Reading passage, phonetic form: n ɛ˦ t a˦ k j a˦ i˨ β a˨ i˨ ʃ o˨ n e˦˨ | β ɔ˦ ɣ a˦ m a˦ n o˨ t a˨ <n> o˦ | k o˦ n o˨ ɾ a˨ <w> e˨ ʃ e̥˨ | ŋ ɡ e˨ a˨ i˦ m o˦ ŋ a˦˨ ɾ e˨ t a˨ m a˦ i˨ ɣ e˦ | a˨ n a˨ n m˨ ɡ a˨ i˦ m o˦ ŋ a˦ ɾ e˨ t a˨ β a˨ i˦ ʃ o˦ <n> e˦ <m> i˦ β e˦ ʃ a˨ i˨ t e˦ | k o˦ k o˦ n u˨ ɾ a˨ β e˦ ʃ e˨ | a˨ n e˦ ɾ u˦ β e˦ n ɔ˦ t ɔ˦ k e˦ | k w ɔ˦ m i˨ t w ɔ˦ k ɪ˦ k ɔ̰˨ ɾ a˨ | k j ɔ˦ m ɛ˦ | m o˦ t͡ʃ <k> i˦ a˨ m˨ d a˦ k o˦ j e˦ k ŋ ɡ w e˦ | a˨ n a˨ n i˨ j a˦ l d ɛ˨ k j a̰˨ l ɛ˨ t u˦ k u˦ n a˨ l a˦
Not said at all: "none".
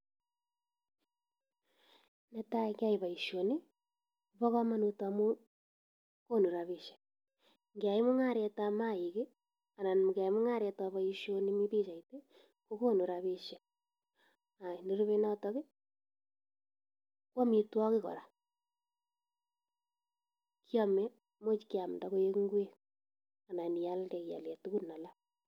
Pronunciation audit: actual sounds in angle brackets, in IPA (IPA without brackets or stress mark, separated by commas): m, β, n, m, k